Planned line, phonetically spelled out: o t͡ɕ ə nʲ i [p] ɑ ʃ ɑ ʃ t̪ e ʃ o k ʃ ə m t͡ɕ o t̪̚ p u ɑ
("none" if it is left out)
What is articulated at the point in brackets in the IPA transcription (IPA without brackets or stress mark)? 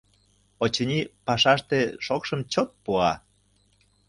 p